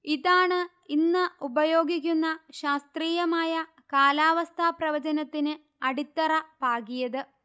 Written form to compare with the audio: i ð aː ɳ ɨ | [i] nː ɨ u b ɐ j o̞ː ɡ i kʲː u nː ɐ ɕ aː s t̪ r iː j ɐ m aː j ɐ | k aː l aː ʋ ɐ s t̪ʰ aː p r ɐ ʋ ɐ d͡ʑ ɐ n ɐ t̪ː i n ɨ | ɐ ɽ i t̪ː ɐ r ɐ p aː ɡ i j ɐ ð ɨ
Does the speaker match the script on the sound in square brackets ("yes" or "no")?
yes